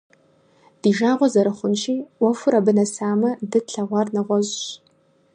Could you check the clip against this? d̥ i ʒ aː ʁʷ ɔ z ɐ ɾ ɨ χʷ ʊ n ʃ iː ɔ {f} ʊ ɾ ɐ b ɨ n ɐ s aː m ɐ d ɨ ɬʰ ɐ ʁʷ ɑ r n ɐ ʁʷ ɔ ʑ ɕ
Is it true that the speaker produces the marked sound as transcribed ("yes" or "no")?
yes